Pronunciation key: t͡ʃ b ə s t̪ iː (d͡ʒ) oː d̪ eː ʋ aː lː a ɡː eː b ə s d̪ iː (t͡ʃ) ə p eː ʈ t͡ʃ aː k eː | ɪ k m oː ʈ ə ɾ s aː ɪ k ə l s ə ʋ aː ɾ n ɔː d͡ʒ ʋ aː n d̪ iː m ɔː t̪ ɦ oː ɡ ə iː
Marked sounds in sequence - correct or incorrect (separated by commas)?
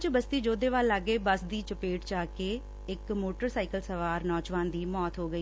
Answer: correct, correct